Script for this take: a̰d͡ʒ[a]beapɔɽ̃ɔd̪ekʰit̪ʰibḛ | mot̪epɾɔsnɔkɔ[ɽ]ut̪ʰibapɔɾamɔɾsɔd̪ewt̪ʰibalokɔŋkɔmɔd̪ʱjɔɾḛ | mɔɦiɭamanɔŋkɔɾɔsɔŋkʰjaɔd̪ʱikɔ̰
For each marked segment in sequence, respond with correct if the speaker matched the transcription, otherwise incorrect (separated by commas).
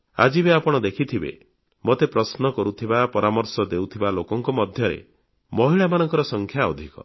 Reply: incorrect, incorrect